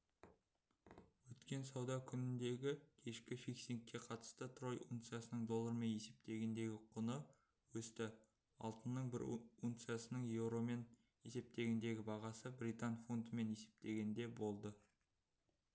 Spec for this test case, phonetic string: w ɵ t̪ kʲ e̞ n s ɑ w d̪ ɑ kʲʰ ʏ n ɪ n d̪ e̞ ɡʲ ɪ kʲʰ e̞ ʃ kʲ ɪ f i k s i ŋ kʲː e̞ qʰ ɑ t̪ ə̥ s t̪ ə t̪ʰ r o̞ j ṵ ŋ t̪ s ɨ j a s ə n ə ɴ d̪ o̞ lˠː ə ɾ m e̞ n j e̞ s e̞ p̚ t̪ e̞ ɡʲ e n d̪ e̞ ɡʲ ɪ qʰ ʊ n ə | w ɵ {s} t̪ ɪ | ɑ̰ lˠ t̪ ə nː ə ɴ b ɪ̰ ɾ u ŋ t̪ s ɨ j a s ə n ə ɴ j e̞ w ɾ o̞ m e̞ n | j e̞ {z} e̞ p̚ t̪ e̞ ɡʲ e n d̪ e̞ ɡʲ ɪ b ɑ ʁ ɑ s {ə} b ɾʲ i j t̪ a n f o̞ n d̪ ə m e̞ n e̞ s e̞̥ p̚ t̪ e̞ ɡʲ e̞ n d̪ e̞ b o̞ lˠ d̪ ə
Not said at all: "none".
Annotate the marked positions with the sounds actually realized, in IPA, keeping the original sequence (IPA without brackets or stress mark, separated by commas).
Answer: s, s, ə